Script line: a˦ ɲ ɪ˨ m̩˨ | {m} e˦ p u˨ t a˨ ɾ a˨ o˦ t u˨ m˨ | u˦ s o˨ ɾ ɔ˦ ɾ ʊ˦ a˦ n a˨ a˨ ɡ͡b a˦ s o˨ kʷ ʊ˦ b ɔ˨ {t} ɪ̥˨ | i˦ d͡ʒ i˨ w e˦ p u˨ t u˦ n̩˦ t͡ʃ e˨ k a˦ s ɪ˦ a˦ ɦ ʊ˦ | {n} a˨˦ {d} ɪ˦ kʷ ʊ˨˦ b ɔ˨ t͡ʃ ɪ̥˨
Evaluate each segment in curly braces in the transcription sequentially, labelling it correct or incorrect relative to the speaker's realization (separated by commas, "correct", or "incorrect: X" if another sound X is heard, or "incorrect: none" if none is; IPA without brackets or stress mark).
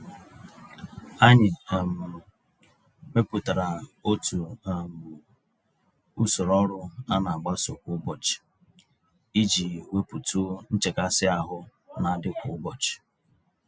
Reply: correct, incorrect: t͡ʃ, correct, correct